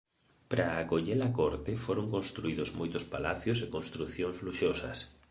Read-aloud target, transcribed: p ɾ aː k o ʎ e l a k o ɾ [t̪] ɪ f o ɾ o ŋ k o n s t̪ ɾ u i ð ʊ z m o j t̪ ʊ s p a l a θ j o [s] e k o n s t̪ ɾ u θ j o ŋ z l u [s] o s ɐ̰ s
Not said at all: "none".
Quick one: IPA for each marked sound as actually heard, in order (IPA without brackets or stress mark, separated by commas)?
t̪, s, ʃ